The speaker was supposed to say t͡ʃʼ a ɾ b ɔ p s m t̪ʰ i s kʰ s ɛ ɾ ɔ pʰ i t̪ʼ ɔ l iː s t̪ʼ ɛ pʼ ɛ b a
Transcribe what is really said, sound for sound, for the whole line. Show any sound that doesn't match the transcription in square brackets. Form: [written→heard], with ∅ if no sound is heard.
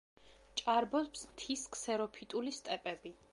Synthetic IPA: t͡ʃʼ a ɾ b ɔ p s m t̪ʰ i s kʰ s ɛ ɾ ɔ pʰ i t̪ʼ [ɔ→u] l [iː→i] s t̪ʼ ɛ pʼ ɛ b [a→i]